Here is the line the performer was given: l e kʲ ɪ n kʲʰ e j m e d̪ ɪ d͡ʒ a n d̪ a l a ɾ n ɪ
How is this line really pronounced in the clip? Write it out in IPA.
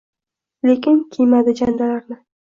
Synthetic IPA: l e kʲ ɪ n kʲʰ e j m a d̪ ɪ d͡ʒ a n d̪ a l a ɾ n ɪ